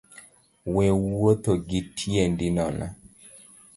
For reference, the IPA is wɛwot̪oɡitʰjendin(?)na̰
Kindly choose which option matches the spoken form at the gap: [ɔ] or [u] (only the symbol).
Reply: ɔ